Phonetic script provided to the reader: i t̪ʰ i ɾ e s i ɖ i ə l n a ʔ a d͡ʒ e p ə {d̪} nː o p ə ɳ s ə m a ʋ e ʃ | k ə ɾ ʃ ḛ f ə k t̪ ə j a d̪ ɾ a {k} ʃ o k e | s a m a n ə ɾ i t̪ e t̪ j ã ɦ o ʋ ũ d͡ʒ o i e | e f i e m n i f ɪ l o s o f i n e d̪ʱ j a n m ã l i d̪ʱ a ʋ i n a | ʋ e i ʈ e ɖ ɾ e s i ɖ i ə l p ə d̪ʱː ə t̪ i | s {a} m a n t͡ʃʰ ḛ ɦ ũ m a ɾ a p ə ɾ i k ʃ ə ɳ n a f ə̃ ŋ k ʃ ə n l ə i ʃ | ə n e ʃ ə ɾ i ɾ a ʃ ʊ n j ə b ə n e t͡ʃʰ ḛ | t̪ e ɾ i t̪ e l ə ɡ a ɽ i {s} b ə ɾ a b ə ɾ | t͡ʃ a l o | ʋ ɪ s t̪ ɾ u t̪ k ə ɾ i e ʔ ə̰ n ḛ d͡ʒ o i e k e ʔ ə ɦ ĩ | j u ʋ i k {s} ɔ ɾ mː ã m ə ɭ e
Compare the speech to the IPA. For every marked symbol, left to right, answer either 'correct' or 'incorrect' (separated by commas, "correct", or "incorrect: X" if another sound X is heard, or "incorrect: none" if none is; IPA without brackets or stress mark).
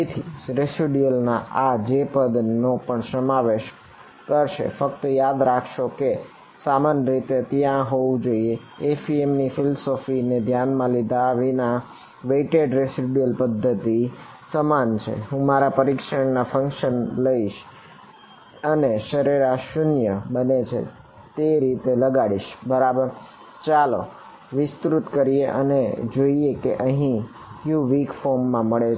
correct, incorrect: kʰ, incorrect: ə, incorrect: ʃ, incorrect: f